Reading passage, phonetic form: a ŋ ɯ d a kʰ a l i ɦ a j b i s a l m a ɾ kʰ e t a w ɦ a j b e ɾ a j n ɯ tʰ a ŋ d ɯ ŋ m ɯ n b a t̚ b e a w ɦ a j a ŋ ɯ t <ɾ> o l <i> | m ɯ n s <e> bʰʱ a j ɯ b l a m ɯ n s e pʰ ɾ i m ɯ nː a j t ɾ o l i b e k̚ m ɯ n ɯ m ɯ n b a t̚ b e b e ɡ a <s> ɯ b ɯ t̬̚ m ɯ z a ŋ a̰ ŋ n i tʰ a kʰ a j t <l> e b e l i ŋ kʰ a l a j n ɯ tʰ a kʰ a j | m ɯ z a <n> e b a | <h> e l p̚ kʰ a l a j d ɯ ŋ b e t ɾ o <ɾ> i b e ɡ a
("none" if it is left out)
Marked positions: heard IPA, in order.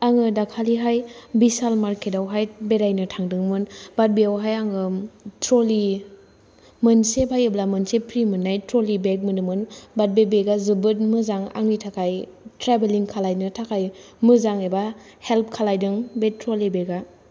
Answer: ɾ, i, e, z, ɾ, ŋ, h, l

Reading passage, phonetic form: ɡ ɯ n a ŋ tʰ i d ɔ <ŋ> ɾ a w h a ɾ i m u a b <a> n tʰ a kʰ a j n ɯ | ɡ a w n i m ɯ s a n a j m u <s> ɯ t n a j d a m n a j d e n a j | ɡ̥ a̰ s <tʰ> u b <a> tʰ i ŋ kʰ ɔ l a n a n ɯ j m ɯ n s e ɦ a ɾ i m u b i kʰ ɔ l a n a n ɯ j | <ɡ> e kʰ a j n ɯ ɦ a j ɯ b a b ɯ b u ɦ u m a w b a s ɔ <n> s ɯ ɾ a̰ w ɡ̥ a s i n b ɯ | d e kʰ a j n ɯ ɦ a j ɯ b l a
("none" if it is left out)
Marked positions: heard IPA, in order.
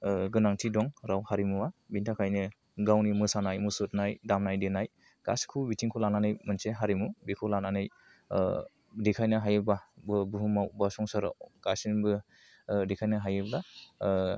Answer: ŋ, i, s, kʰ, i, d, ŋ

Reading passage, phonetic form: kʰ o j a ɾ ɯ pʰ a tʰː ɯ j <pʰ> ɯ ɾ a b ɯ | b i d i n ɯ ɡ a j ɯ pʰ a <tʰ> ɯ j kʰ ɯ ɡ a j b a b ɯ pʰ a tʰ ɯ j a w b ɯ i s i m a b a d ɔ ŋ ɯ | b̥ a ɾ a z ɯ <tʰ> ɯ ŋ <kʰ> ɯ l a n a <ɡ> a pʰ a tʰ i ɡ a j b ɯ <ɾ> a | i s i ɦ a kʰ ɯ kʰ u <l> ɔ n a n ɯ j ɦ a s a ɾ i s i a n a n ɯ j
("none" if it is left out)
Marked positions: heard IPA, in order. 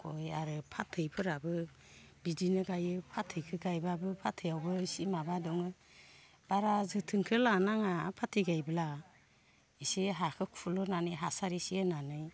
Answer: pʰ, tʰ, tʰ, kʰ, ŋ, l, l

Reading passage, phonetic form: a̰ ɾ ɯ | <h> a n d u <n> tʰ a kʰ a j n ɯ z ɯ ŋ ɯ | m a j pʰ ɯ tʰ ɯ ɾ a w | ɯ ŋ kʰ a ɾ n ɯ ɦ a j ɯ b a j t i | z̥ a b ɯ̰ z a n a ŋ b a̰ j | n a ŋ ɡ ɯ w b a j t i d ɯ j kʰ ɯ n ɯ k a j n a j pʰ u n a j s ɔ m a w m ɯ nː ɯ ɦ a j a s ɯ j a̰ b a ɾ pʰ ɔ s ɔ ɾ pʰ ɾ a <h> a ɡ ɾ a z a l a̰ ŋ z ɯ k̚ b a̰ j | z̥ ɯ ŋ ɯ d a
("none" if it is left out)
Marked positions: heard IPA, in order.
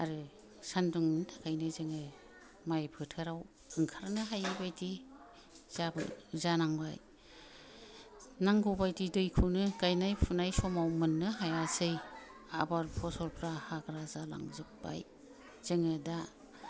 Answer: s, ŋ, h

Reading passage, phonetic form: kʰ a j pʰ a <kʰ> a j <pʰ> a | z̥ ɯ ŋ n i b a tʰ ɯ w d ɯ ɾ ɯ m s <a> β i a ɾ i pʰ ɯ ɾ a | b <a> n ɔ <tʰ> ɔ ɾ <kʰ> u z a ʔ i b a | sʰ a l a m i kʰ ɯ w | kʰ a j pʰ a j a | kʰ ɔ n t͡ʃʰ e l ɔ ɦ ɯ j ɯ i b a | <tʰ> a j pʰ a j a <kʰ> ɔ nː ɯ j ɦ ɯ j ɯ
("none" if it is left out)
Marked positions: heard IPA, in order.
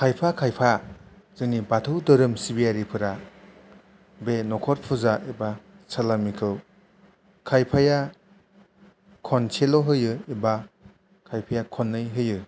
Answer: kʰ, pʰ, i, e, kʰ, pʰ, kʰ, kʰ

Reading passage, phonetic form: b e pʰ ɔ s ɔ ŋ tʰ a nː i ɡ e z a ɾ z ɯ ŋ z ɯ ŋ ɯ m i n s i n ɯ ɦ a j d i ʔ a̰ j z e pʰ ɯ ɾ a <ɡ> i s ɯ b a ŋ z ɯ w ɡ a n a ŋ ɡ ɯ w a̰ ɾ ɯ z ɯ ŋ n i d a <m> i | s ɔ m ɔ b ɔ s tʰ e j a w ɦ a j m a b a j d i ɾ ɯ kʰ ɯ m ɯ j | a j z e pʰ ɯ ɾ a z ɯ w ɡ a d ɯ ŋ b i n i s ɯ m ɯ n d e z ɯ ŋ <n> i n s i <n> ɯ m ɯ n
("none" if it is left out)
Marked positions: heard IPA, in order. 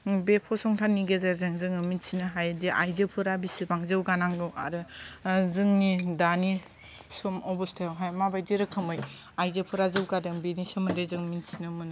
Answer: b, n, m, n

